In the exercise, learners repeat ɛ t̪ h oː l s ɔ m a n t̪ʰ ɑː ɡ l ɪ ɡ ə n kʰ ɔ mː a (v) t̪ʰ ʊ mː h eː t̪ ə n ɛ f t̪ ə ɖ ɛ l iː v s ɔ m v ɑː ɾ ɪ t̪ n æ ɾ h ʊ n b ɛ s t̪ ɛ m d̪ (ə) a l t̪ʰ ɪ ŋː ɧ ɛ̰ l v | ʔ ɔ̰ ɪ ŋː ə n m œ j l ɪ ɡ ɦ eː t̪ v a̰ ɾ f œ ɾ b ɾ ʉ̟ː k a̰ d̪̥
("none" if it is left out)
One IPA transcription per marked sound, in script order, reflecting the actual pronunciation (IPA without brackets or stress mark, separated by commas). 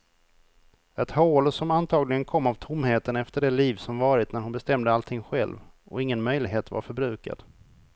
v, ə